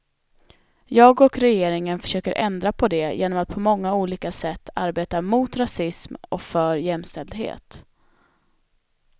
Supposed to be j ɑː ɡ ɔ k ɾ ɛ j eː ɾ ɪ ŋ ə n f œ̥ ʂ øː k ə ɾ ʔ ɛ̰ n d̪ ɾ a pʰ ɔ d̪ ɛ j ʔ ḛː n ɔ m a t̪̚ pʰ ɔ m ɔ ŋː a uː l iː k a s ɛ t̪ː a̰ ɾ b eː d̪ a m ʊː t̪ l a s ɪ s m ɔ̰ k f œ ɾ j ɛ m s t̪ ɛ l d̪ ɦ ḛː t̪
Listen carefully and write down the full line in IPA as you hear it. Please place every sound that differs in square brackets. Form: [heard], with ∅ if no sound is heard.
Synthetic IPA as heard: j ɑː ɡ ɔ k ɾ ɛ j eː ɾ ɪ ŋ ə n f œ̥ ʂ øː k ə ɾ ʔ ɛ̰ n d̪ ɾ a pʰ ɔ d̪ ɛ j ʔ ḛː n ɔ m a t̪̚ pʰ ɔ m ɔ ŋː a uː l iː k a s ɛ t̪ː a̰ ɾ b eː [t̪] a m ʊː t̪ [ɾ] a s ɪ s m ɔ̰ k f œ ɾ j ɛ m s t̪ ɛ l d̪ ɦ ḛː t̪